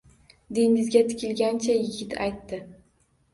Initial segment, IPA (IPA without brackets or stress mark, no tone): d̪